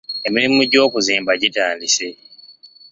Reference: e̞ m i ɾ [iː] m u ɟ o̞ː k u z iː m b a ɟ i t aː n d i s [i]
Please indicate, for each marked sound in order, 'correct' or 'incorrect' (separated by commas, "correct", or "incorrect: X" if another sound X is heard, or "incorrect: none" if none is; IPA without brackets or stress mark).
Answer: incorrect: i, incorrect: e